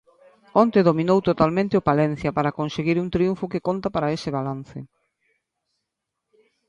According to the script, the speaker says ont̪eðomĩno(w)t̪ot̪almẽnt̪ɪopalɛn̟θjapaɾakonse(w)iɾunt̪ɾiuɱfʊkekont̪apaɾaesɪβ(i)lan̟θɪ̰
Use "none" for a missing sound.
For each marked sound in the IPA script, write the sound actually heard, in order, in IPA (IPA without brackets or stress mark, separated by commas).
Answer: w, ɣ, a